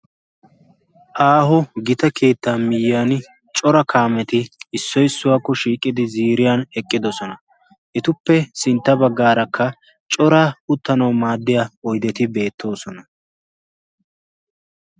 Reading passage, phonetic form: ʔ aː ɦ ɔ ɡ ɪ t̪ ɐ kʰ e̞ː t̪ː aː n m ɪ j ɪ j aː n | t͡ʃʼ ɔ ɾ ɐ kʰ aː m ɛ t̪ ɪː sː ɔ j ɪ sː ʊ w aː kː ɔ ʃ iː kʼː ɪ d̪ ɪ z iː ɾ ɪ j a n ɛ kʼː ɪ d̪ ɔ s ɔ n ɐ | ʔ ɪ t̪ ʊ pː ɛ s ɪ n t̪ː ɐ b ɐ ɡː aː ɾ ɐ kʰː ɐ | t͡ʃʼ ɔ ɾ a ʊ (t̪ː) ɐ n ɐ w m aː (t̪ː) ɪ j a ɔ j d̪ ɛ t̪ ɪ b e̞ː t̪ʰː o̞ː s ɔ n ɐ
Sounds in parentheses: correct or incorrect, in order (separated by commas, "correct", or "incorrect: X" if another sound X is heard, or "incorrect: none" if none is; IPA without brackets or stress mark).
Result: correct, incorrect: d̪ː